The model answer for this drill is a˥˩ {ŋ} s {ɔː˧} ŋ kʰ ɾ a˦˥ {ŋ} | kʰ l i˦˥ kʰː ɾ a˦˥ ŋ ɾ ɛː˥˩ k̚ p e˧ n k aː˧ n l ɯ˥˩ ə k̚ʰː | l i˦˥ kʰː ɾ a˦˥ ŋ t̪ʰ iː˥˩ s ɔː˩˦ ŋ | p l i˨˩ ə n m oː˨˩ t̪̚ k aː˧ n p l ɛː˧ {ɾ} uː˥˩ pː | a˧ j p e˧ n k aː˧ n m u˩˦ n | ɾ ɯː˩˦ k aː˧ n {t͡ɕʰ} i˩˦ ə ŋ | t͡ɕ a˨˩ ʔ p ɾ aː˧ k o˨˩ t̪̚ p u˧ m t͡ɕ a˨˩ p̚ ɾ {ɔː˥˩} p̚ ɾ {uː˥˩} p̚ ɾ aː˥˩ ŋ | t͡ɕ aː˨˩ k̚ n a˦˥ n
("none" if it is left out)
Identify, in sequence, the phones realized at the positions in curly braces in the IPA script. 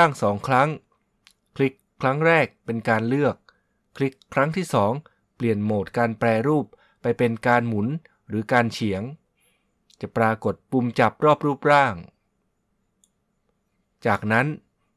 ŋ, ɔː˩˦, ŋ, ɾ, t͡ɕʰ, ɔː˥˩, uː˥˩

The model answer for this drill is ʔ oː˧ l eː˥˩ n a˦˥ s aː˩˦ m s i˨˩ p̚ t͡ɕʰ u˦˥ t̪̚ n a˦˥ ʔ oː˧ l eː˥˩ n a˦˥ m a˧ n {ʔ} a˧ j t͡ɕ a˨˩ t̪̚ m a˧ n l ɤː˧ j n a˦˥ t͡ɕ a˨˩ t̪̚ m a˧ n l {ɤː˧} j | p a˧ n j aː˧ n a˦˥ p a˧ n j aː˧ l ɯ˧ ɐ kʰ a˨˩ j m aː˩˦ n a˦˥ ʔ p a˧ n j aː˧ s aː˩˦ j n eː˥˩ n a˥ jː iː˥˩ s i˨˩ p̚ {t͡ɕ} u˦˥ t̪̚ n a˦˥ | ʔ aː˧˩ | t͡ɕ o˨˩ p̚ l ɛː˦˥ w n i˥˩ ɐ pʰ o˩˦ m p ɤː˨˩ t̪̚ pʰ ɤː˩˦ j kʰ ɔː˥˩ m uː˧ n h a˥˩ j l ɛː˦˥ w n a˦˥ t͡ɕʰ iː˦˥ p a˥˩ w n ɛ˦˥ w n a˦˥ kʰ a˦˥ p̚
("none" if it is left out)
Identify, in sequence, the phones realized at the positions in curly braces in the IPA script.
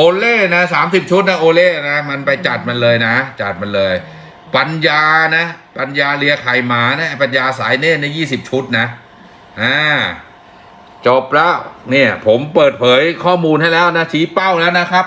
p, ɤː˧, t͡ɕʰ

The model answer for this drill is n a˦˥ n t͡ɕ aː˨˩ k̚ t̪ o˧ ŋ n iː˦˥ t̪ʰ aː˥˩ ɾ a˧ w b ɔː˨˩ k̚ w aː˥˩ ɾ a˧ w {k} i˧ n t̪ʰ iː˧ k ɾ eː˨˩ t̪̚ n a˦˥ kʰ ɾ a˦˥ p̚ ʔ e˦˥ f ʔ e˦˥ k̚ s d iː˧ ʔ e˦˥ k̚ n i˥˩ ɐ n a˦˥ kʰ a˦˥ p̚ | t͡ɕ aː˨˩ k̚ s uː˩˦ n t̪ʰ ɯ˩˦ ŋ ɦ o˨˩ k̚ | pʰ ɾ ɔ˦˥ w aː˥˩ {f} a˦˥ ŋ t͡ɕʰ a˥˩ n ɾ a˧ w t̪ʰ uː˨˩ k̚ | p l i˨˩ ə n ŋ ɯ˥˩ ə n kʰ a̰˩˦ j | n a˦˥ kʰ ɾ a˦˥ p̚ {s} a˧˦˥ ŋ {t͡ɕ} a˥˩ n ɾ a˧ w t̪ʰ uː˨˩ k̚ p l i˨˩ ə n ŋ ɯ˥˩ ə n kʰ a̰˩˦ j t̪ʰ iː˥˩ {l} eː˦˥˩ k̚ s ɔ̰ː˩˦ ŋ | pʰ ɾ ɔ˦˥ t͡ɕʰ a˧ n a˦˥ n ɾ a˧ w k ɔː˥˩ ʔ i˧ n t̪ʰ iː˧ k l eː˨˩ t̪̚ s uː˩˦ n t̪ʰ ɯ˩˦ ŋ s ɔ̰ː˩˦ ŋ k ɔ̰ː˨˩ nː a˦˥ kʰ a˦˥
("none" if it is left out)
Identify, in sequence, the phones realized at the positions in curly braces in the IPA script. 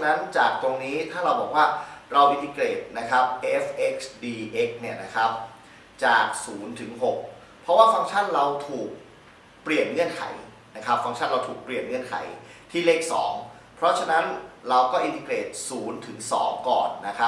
ʔ, f, f, t͡ɕʰ, l

